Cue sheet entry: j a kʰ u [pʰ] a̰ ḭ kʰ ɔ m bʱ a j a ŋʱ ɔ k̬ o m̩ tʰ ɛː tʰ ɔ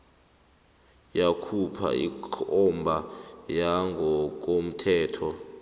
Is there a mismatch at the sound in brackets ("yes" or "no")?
no